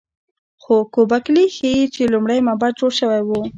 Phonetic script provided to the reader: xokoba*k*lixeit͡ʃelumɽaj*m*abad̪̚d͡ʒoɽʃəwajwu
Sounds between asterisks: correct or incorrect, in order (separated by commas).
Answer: correct, correct